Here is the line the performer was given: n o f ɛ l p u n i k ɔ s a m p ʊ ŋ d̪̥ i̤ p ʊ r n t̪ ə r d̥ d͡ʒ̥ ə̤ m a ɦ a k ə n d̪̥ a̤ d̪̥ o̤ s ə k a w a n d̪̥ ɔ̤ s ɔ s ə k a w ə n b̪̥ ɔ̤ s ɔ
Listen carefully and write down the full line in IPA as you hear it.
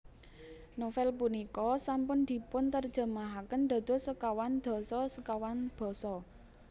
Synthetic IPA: n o f ɛ l p u n i k ɔ s a m p ʊ n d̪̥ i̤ p ʊ n t̪ ə r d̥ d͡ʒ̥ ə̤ m a ɦ a k ə n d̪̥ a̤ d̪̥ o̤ s ə k a w a n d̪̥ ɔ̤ s ɔ s ə k a w a n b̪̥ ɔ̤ s ɔ